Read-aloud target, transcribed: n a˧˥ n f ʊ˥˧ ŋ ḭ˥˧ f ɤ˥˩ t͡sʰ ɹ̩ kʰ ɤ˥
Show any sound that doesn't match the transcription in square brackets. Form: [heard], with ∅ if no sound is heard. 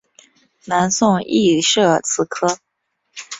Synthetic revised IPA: n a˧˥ n [s] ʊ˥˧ ŋ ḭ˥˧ [ʂ] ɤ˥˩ t͡sʰ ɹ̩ kʰ ɤ˥

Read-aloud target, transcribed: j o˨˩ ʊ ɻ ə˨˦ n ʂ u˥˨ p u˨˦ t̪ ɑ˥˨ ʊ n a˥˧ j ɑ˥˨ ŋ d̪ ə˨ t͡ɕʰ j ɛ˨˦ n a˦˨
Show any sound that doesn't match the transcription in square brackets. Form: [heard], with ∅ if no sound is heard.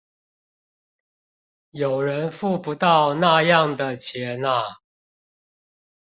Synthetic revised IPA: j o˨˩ ʊ ɻ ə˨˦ n [f] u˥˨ p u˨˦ t̪ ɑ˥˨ ʊ n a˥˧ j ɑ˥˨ ŋ d̪ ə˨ t͡ɕʰ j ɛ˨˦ n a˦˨

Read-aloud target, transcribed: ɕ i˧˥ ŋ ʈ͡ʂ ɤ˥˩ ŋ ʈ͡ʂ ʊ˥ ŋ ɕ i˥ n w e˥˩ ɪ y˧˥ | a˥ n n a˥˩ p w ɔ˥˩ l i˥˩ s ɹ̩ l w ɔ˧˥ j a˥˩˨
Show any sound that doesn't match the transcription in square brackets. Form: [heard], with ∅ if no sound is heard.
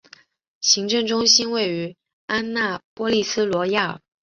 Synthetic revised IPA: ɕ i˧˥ ŋ ʈ͡ʂ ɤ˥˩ ŋ ʈ͡ʂ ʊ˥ ŋ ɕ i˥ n w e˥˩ ɪ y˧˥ | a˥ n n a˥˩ p w [ɔ˥] l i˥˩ s ɹ̩ l w ɔ˧˥ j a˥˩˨

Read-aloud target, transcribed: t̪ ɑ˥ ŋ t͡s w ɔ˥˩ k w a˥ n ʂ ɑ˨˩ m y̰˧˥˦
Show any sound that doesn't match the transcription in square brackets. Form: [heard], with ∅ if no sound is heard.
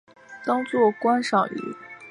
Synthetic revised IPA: t̪ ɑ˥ ŋ t͡s w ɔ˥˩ k w a˥ n ʂ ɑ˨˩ [ŋ] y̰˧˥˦

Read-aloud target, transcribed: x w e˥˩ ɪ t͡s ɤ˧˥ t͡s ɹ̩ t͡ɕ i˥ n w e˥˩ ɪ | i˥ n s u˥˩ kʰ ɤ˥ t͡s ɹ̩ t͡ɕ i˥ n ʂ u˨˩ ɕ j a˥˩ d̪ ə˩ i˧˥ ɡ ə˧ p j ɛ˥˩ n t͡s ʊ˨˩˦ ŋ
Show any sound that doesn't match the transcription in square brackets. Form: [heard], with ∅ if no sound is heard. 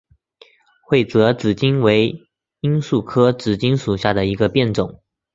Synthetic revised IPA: x w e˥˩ ɪ t͡s ɤ˧˥ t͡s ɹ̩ t͡ɕ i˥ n w [e˧˥] ɪ | i˥ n s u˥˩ kʰ ɤ˥ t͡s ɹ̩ t͡ɕ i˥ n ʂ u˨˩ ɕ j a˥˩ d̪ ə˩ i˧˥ ɡ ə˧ p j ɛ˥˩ n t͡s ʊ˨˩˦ ŋ

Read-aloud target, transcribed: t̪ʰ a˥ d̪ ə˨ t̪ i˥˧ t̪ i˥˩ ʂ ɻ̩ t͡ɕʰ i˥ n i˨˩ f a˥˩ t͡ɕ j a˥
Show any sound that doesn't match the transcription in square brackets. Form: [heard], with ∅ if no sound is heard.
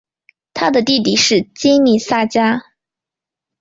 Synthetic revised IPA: t̪ʰ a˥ d̪ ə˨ t̪ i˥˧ t̪ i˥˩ ʂ ɻ̩ [t͡ɕ] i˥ n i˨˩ [s] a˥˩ t͡ɕ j a˥

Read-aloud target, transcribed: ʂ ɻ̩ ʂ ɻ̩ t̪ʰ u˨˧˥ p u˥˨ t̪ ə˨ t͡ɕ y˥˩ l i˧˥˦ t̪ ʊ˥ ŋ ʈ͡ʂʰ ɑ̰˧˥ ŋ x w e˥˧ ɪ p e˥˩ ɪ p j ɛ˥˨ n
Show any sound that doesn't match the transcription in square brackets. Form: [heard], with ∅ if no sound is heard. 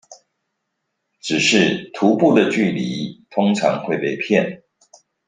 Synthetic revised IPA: [ʈ͡ʂ] ɻ̩ ʂ ɻ̩ t̪ʰ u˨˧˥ p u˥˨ [d̪] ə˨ t͡ɕ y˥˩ l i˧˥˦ [t̪ʰ] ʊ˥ ŋ ʈ͡ʂʰ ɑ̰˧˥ ŋ x w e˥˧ ɪ p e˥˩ ɪ [pʰ] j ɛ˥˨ n

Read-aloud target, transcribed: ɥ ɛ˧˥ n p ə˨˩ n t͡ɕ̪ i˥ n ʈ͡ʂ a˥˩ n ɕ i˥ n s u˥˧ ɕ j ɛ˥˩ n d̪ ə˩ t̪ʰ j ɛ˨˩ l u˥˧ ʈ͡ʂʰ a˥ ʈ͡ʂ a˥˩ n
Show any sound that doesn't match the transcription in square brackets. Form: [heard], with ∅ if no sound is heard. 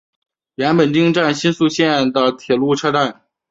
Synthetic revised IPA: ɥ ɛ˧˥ n p ə˨˩ n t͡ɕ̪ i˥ [ŋ] ʈ͡ʂ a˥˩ n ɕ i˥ n s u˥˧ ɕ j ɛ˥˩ n d̪ ə˩ t̪ʰ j ɛ˨˩ l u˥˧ ʈ͡ʂʰ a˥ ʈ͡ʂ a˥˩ n

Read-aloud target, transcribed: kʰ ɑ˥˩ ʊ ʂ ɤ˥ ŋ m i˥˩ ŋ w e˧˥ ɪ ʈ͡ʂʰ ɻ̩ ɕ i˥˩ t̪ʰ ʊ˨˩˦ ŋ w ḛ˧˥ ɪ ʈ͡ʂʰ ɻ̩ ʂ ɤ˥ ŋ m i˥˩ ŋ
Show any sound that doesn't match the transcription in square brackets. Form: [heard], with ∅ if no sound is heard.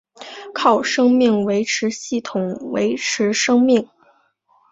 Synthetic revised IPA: kʰ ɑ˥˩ ʊ ʂ ɤ˥ ŋ m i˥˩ ŋ w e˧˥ ɪ ʈ͡ʂʰ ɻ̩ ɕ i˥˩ t̪ʰ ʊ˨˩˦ ŋ w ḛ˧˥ ɪ ʈ͡ʂʰ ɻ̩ ʂ ɤ˥ ŋ m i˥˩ ŋ

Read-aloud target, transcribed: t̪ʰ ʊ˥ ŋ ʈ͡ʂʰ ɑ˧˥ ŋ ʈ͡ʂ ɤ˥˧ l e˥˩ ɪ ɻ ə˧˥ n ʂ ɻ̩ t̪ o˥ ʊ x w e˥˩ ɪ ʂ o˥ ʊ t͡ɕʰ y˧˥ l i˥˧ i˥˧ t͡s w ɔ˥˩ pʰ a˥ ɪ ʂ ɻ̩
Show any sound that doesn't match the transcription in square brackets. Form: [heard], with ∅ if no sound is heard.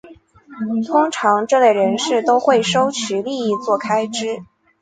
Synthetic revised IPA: t̪ʰ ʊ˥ ŋ ʈ͡ʂʰ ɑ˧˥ ŋ ʈ͡ʂ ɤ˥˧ l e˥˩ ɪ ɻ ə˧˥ n ʂ ɻ̩ t̪ o˥ ʊ x w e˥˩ ɪ ʂ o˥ ʊ t͡ɕʰ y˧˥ l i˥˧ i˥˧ t͡s w ɔ˥˩ [kʰ] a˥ ɪ [ʈ͡ʂ] ɻ̩

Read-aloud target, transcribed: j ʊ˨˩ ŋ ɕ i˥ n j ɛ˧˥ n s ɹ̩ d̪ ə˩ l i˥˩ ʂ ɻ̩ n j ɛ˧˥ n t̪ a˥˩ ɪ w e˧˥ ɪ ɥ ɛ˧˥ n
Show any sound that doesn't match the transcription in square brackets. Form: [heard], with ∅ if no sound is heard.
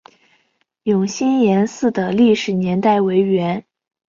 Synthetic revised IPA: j ʊ˨˩ ŋ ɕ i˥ n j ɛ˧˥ n s ɹ̩ d̪ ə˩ l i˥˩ ʂ ɻ̩ n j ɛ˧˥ n t̪ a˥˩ ɪ w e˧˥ ɪ ɥ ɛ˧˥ n

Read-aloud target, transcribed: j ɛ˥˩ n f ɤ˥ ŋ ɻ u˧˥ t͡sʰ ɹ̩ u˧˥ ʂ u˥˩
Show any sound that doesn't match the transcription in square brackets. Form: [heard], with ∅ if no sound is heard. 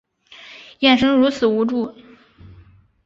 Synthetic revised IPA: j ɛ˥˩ n [ʂ] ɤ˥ ŋ ɻ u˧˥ t͡sʰ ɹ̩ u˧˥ [ʈ͡ʂ] u˥˩

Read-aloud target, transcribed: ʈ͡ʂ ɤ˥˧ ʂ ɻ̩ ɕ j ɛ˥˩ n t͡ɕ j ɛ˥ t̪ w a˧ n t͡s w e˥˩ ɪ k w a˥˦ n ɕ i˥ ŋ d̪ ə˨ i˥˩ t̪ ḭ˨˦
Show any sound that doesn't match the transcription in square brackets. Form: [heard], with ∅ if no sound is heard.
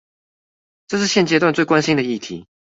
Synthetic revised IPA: ʈ͡ʂ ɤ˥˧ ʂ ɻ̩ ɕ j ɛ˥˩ n t͡ɕ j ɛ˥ t̪ w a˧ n t͡s w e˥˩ ɪ k w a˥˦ n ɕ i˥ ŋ d̪ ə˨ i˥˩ [t̪ʰ] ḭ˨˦

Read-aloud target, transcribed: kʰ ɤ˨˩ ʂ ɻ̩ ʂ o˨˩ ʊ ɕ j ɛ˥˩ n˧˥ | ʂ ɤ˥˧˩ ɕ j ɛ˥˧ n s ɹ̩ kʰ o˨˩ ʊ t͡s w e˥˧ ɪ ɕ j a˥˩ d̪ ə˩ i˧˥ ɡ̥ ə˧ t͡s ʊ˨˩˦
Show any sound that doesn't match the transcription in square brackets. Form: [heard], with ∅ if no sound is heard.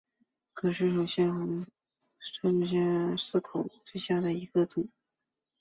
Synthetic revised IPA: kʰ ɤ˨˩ ʂ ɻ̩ ʂ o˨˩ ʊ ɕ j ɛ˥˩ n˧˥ | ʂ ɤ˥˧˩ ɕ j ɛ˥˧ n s ɹ̩ kʰ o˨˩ ʊ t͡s w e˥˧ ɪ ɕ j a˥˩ d̪ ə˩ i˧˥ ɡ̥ ə˧ t͡s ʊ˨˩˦

